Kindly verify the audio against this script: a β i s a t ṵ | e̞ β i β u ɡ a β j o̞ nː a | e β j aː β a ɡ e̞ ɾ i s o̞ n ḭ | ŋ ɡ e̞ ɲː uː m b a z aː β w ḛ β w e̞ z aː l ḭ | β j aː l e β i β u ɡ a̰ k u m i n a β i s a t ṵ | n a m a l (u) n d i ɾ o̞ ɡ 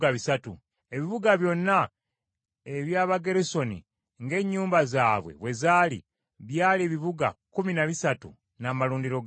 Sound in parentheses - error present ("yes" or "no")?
yes